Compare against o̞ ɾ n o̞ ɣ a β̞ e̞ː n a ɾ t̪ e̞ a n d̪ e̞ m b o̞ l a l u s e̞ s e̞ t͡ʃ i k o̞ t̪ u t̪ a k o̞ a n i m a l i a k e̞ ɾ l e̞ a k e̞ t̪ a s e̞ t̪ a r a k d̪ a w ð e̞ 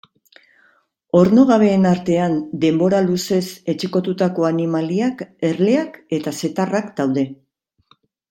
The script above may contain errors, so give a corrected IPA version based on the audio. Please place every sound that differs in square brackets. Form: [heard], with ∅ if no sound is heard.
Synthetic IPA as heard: o̞ ɾ n o̞ ɣ a β̞ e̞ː n a ɾ t̪ e̞ a n d̪ e̞ m b o̞ [ɾ] a l u s e̞ s e̞ t͡ʃ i k o̞ t̪ u t̪ a k o̞ a n i m a l i a k e̞ ɾ l e̞ a k e̞ t̪ a s e̞ t̪ a r a k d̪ a w ð e̞